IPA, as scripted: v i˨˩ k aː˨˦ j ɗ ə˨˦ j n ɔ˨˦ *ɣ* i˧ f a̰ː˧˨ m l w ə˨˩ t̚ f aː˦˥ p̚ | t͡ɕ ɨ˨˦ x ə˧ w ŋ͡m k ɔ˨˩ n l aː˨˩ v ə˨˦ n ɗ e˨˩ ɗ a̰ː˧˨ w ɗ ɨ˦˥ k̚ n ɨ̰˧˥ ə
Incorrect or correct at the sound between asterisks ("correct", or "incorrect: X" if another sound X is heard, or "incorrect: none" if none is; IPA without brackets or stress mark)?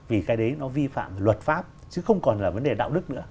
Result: incorrect: v